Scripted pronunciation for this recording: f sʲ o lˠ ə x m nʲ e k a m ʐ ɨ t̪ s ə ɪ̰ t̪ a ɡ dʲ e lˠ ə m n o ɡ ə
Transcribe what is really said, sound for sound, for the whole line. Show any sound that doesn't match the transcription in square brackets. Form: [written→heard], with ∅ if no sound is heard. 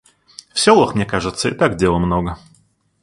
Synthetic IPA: f sʲ o lˠ ə x m nʲ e k a [m→∅] ʐ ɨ t̪ s ə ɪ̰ t̪ a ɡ dʲ e lˠ ə m n o ɡ ə